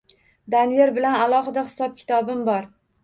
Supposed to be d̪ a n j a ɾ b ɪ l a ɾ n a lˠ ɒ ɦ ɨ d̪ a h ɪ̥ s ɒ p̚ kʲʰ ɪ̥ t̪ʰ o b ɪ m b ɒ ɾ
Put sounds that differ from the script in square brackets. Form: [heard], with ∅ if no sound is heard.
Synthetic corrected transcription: d̪ a n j [e] ɾ b ɪ l a [∅] n a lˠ ɒ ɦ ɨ d̪ a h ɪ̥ s ɒ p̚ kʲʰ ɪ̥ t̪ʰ [ɒ] b ɪ m b ɒ ɾ